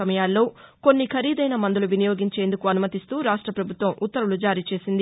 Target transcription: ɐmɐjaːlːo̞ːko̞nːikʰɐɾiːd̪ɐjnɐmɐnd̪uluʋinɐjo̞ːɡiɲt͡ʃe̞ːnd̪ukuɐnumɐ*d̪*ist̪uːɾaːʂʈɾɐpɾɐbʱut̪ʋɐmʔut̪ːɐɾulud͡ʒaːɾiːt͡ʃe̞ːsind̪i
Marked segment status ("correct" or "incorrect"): incorrect